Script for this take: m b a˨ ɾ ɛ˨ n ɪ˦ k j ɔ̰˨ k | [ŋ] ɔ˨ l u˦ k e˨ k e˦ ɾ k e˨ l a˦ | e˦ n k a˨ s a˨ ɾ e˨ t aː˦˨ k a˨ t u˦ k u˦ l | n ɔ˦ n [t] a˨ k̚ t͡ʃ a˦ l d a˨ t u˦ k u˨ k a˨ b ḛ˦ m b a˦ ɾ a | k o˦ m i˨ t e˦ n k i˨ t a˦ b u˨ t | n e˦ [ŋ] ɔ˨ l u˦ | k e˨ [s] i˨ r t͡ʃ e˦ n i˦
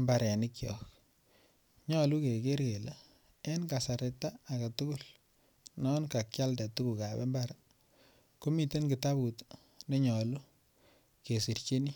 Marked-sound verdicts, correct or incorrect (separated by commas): incorrect, incorrect, incorrect, correct